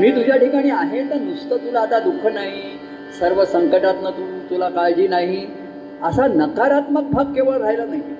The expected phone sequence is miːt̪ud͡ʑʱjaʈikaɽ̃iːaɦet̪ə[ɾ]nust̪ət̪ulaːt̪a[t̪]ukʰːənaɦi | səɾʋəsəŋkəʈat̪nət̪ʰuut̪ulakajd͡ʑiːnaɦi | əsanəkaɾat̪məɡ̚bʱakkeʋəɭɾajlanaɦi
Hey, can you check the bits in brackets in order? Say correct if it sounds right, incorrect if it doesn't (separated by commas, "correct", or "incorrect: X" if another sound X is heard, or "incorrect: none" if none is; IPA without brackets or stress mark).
correct, incorrect: d̪